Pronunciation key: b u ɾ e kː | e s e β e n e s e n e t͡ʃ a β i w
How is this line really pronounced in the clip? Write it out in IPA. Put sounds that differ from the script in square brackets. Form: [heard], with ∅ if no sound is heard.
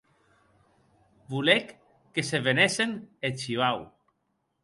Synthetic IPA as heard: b u [l] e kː | e s e β e n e s e n e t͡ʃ [i] β [a] w